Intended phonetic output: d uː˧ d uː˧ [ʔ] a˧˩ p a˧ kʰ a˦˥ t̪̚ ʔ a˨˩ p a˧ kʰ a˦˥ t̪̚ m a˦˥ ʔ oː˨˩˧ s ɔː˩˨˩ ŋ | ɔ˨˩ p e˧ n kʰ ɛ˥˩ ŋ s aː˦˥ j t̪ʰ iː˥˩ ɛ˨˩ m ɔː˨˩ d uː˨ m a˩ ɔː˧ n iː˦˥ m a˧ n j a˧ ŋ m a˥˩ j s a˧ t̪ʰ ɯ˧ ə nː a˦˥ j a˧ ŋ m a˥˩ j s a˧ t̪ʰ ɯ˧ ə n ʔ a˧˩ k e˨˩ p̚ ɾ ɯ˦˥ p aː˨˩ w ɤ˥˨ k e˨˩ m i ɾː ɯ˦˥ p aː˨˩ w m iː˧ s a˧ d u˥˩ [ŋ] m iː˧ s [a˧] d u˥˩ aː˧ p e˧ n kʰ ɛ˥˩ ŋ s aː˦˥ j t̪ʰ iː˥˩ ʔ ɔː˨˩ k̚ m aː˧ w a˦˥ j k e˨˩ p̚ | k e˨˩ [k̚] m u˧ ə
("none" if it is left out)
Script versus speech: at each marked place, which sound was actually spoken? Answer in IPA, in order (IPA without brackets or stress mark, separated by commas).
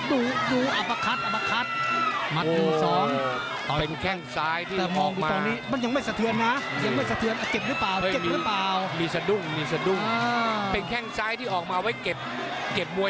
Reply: ʔ, ŋ, a˧, p̚